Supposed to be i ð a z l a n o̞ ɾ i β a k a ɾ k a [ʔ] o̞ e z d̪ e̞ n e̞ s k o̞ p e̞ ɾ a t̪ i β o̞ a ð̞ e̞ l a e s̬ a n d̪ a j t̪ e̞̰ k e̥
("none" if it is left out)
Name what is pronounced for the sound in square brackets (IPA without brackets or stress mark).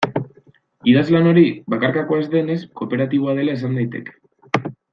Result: k